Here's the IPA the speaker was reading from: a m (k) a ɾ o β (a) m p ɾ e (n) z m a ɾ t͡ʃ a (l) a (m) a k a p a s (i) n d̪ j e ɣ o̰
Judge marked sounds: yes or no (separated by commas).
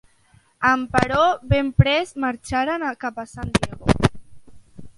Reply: no, no, no, no, no, no